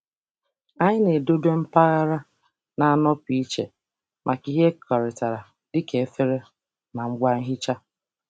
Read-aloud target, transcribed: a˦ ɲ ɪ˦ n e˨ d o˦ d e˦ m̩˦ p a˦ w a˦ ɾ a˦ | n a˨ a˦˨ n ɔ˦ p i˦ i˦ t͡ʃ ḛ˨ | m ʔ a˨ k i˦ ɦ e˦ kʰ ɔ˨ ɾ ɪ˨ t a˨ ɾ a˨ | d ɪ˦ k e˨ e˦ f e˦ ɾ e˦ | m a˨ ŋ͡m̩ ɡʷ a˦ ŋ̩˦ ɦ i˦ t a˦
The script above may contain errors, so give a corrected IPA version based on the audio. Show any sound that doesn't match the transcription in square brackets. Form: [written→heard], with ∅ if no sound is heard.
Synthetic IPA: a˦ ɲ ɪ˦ n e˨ d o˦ d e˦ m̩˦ p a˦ [w→ɣ] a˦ ɾ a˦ | n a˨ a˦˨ n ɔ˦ p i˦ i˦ t͡ʃ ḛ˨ | m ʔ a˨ k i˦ ɦ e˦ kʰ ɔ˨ ɾ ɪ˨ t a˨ ɾ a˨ | d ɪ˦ k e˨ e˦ f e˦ ɾ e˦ | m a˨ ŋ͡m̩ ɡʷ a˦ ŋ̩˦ ɦ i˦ [t→t͡ʃ] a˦